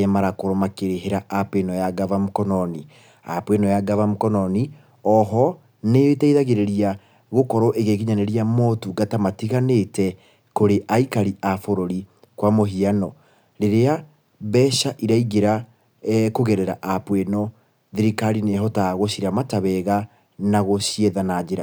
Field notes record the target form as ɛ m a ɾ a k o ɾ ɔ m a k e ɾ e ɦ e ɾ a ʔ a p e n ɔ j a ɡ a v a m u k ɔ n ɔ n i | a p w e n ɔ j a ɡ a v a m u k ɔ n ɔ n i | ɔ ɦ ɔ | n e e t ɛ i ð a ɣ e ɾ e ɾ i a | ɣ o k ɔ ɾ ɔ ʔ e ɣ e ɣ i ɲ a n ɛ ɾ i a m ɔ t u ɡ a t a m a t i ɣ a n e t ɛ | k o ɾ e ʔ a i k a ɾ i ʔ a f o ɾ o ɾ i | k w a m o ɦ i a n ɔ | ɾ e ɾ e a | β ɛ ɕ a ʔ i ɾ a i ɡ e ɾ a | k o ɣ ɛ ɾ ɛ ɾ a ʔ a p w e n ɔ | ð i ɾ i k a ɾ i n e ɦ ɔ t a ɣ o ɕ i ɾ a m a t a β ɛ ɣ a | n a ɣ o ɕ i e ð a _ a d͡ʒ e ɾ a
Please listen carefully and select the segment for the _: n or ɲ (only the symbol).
n